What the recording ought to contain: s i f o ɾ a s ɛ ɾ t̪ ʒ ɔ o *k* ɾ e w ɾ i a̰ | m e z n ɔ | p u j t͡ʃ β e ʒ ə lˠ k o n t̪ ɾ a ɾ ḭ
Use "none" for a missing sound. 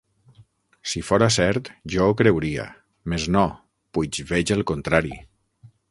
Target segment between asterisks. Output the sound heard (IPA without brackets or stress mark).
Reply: k